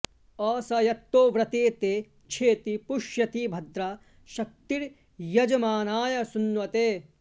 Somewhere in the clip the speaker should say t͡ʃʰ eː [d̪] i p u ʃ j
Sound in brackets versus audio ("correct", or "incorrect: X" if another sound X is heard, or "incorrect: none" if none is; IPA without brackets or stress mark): incorrect: t̪